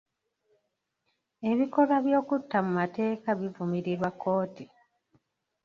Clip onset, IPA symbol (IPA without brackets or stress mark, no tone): e̞